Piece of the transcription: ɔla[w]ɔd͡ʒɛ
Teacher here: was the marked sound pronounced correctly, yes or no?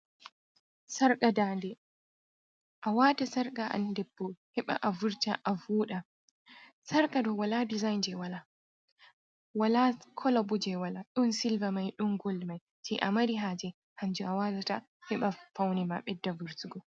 no